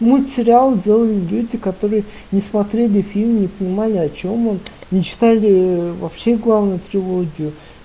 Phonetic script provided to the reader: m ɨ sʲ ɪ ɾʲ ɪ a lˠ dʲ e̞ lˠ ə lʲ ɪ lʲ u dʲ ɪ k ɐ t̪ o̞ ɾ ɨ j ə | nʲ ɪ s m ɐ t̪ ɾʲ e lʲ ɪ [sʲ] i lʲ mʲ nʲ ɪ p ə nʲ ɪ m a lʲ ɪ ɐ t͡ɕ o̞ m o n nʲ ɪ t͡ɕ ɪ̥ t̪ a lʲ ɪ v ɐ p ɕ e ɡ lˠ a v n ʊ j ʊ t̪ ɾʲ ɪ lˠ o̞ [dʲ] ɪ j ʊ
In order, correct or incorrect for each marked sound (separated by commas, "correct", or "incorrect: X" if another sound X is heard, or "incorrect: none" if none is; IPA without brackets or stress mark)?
incorrect: fʲ, incorrect: ɡʲ